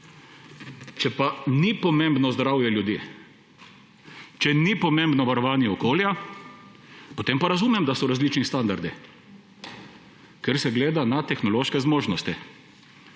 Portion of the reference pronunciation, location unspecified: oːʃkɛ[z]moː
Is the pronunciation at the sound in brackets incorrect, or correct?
correct